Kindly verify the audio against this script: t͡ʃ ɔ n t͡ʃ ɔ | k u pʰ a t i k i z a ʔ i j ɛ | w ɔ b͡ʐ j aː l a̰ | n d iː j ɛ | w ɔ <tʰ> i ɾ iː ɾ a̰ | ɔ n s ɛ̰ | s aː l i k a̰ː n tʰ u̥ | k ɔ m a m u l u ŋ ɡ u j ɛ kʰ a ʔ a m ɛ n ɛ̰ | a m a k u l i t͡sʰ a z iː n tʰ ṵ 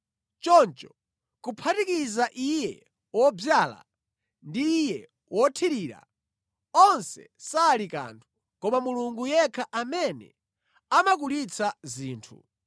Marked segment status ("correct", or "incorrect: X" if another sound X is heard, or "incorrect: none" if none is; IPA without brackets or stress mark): correct